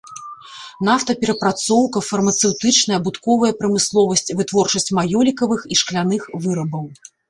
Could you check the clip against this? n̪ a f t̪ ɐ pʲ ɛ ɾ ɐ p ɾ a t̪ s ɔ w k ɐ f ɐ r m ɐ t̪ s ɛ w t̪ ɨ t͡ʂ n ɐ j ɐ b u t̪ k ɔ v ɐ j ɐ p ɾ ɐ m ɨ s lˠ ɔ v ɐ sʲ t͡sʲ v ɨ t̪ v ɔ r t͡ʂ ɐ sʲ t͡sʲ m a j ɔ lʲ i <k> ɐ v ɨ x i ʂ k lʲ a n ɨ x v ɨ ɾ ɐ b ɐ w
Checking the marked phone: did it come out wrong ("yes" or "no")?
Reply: no